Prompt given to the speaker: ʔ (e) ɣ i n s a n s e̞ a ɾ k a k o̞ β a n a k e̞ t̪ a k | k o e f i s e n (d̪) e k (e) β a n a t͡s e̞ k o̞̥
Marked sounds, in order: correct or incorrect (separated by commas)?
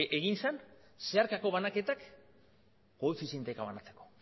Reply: correct, incorrect, incorrect